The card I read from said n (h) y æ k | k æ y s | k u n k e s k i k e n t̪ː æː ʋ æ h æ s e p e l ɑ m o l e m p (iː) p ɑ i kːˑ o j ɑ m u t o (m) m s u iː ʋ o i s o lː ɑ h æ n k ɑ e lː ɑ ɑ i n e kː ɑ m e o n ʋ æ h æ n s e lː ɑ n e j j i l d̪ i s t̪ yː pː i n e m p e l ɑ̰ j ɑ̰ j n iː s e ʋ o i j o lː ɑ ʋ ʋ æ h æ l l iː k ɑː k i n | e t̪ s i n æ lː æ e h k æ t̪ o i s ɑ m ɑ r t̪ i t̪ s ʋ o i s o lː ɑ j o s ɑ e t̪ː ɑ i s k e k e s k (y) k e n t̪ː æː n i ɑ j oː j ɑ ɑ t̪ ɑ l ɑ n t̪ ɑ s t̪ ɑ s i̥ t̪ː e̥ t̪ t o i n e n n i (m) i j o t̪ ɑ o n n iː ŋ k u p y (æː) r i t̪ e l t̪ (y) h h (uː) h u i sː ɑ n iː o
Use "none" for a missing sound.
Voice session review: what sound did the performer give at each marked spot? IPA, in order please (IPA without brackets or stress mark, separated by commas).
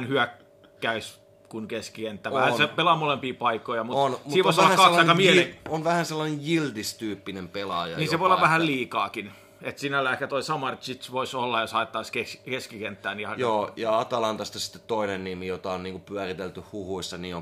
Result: h, iː, n, i, m, æ, y, u